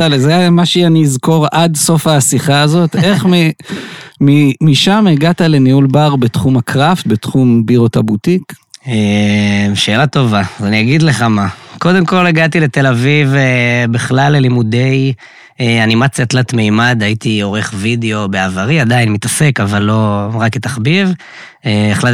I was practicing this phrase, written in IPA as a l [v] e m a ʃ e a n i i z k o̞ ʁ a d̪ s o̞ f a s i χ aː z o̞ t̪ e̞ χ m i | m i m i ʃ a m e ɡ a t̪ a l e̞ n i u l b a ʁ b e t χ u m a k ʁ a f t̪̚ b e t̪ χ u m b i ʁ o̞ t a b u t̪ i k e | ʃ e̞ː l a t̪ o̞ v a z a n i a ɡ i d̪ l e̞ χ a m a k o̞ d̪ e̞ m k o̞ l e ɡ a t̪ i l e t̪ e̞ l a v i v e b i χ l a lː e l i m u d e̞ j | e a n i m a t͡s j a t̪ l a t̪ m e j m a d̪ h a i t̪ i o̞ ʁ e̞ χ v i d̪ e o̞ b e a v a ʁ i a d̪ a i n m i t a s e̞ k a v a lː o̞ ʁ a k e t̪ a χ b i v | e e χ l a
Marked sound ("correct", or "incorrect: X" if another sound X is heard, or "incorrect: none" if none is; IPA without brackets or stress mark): incorrect: z